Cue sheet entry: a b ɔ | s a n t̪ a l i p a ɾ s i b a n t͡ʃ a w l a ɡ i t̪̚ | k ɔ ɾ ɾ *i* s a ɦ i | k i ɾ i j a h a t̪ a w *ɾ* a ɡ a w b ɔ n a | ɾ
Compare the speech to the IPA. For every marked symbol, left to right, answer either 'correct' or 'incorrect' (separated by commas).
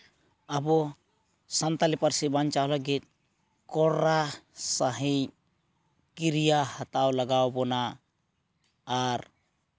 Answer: incorrect, incorrect